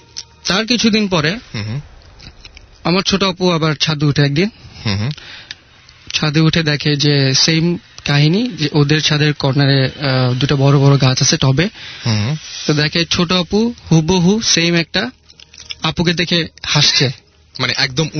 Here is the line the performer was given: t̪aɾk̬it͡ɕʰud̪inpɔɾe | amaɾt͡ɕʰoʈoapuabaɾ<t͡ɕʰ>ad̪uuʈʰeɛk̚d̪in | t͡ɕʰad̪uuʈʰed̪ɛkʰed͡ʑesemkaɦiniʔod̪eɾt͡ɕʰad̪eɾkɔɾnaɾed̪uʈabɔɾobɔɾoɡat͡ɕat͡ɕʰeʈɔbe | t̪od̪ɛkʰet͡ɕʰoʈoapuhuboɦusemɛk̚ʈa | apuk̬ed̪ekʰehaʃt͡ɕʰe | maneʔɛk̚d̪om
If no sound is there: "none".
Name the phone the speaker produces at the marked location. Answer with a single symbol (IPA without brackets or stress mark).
t͡ɕʰ